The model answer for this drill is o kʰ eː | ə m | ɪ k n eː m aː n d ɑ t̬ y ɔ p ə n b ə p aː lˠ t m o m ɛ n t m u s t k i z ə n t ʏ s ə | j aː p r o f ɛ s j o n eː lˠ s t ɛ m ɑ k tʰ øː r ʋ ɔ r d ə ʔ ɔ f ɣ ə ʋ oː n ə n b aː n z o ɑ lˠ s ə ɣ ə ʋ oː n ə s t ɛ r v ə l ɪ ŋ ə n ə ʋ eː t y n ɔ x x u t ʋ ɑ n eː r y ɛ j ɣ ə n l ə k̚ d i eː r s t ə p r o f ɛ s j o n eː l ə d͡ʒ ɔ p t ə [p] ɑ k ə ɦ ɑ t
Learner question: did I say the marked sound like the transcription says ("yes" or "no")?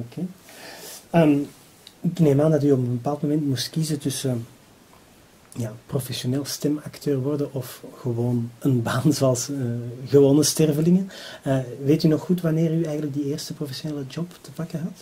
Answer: yes